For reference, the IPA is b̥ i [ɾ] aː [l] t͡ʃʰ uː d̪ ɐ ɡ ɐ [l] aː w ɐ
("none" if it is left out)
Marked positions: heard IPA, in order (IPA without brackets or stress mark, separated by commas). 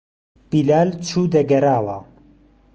l, l, ɾ